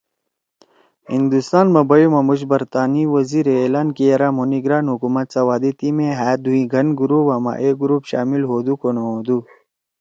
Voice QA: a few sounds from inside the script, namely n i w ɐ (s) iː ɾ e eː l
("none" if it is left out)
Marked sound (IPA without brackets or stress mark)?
z